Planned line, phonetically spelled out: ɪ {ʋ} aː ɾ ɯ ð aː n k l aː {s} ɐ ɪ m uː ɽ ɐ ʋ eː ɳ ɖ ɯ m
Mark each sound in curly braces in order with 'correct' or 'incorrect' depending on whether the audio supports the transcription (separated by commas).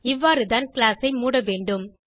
incorrect, correct